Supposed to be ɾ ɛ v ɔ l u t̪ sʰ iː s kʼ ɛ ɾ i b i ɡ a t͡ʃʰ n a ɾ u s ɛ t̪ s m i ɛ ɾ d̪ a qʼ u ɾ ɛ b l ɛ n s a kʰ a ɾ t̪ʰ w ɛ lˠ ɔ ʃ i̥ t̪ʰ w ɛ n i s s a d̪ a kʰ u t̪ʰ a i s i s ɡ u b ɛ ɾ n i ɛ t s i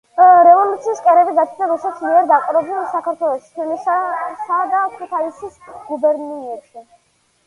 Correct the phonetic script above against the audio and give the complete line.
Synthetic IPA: ɾ ɛ v ɔ l u t̪ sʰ iː s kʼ ɛ ɾ ɛ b i ɡ a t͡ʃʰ n a ɾ u s ɛ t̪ s m i ɛ ɾ d̪ a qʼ u ɾ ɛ b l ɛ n s a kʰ a ɾ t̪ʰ w ɛ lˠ ɔ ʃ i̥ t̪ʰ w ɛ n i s s a d̪ a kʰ u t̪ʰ a i s i s ɡ u b ɛ ɾ n i ɛ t ʃ i